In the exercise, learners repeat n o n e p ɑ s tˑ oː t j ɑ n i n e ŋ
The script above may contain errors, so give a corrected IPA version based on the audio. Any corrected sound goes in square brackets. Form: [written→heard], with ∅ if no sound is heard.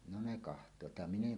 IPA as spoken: n o n e [p→k] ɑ [s→h] tˑ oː t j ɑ [n→m] i n e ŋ